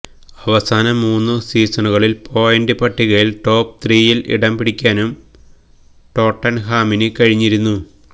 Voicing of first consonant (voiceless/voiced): voiced